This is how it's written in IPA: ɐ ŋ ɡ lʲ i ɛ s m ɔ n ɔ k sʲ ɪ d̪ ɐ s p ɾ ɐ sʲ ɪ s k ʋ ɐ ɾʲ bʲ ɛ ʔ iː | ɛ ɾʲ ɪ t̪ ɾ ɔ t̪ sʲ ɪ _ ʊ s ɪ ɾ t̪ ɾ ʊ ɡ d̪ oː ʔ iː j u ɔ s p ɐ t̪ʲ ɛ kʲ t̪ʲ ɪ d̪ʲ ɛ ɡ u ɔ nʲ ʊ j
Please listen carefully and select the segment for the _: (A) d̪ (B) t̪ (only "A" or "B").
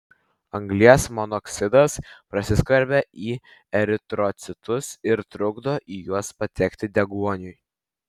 B